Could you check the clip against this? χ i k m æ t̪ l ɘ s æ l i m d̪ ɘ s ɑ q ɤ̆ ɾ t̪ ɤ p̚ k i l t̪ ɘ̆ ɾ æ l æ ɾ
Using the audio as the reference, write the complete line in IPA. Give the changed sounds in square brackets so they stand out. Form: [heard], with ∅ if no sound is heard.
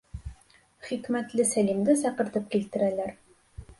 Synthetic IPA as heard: χ i k m æ t̪ l ɘ s æ l i m d̪ ɘ s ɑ q ɤ̆ ɾ t̪ ɤ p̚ k i l t̪ ɘ̆ ɾ æ l æ ɾ